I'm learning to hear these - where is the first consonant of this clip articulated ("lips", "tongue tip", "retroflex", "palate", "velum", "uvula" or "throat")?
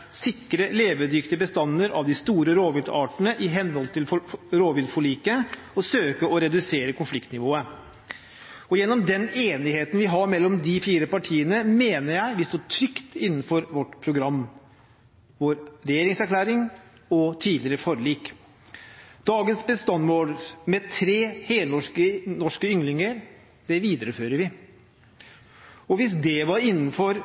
tongue tip